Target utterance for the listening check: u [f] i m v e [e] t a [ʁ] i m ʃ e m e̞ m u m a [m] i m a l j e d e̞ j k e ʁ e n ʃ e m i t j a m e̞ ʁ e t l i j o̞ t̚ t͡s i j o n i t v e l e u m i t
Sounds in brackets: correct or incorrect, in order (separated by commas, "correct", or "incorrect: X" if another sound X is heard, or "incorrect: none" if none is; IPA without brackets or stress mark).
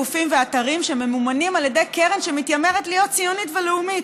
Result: correct, incorrect: a, correct, incorrect: n